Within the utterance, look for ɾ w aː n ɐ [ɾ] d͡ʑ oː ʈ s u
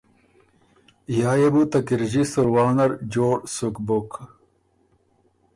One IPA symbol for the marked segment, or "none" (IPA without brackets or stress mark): ɾ